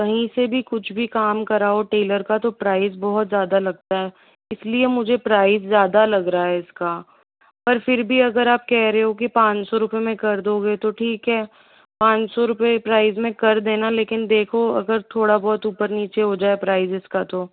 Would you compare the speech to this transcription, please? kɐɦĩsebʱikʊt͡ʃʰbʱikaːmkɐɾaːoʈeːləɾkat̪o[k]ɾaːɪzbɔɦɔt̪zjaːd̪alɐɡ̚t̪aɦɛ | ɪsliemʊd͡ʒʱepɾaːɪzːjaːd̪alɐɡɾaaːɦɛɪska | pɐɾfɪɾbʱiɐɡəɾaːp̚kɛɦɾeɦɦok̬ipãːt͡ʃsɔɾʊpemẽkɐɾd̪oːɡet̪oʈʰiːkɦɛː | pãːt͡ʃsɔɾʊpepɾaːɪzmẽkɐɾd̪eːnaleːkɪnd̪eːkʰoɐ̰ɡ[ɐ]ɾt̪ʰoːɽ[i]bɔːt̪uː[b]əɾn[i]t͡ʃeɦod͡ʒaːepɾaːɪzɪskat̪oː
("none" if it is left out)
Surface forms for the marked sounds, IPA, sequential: p, ə, a, p, iː

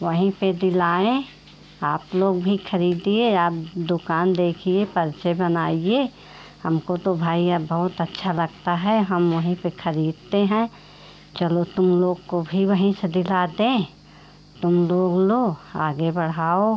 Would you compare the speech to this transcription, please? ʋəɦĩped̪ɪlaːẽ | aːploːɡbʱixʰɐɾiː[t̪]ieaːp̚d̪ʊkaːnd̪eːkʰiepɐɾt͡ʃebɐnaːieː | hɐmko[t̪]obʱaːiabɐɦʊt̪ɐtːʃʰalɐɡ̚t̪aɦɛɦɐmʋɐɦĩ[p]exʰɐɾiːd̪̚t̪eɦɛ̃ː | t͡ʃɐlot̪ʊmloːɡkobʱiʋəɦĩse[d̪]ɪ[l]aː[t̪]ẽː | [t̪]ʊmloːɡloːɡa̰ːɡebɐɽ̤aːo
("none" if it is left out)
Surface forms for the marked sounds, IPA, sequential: d̪, t̪, p, d̪, l, d̪, t̪

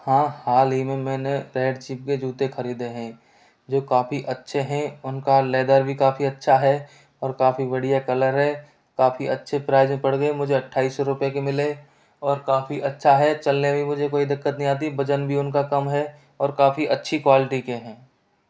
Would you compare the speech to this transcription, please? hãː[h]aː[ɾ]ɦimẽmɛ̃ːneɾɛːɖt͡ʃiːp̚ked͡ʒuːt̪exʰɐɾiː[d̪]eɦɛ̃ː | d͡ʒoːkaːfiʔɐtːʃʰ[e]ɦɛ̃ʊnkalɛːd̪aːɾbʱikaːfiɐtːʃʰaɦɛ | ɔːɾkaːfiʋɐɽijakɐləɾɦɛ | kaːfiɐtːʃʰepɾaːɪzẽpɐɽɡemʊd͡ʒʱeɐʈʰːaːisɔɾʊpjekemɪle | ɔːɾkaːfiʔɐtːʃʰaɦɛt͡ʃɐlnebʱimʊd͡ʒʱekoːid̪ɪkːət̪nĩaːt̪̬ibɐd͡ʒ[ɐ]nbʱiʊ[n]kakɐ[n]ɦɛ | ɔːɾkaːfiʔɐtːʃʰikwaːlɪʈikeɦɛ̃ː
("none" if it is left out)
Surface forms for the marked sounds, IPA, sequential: h, l, d̪, e, ə, n, m

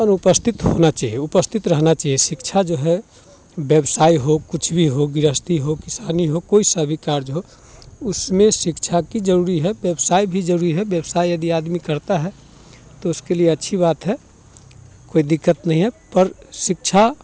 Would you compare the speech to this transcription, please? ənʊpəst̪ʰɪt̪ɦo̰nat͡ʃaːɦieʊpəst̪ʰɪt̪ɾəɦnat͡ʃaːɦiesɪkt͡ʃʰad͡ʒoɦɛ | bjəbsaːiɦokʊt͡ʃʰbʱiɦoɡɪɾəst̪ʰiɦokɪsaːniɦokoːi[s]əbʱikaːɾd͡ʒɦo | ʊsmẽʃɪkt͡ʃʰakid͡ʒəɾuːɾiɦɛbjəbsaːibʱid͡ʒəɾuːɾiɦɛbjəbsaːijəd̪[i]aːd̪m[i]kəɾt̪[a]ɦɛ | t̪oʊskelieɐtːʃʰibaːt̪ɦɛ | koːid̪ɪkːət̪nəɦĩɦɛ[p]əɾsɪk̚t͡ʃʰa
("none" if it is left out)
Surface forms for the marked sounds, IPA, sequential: s, i, i, a, p

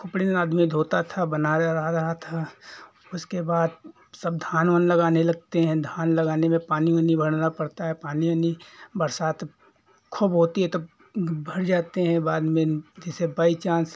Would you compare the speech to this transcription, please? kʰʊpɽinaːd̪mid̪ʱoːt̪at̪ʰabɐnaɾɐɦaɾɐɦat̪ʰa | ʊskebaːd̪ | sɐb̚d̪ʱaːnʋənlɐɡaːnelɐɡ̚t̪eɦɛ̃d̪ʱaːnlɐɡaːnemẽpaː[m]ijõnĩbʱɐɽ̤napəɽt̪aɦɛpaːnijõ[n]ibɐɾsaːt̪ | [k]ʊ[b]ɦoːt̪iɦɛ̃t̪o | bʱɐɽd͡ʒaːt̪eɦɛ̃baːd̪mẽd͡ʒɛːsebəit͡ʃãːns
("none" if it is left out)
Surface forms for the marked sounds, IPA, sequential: n, n, kʰ, b

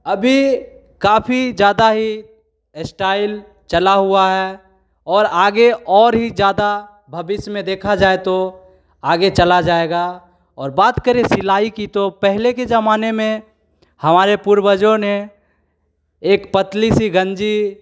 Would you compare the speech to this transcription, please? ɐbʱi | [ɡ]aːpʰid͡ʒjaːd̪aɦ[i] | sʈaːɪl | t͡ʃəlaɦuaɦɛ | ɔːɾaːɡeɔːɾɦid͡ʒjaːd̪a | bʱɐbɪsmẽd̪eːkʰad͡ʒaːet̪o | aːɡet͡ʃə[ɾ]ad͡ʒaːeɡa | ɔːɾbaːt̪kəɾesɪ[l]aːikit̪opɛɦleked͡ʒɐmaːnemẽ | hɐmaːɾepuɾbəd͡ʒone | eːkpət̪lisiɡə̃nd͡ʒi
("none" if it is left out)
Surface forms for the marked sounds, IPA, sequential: k, i, l, l

